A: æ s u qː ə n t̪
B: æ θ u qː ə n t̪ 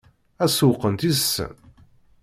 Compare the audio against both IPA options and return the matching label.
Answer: A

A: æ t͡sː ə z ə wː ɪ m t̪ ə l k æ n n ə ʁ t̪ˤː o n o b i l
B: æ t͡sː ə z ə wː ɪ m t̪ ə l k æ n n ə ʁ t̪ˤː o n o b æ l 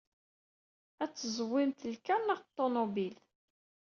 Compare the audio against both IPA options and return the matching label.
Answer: A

